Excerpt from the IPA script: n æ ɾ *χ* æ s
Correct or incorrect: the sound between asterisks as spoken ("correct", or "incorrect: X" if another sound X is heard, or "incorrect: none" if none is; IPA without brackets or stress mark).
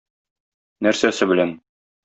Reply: incorrect: s